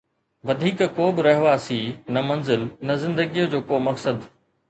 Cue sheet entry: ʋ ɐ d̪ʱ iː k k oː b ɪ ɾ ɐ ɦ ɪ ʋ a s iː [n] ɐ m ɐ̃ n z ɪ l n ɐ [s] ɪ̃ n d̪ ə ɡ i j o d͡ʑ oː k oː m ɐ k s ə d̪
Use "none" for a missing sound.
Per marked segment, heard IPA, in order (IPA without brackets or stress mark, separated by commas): n, z